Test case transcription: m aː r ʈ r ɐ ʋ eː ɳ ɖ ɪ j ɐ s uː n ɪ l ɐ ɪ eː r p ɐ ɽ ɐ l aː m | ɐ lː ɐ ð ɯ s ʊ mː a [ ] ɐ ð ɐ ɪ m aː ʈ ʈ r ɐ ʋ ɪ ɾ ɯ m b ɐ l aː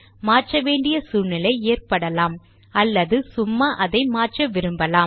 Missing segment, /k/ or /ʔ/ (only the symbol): ʔ